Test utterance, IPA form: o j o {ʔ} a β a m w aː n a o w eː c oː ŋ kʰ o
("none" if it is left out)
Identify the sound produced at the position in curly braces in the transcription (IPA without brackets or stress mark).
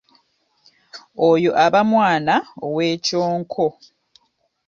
ʔ